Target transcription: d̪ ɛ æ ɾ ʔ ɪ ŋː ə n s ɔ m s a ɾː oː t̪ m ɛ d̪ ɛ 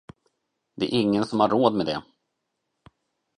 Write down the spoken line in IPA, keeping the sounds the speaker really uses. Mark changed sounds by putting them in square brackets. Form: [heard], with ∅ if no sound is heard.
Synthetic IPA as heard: d̪ ɛ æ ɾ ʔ ɪ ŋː ə n s ɔ m [h] a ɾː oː [d̪] m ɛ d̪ ɛ